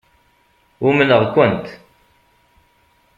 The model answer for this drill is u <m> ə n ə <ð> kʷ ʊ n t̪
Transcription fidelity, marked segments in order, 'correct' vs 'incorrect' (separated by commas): correct, incorrect